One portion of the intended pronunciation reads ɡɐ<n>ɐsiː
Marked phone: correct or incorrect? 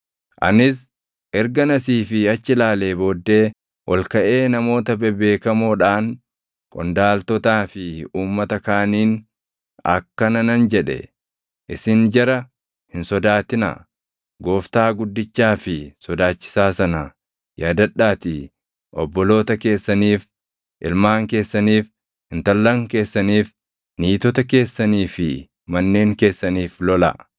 correct